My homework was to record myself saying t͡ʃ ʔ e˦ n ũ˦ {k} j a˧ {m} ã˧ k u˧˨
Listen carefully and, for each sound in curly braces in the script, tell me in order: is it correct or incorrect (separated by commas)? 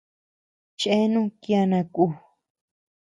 correct, incorrect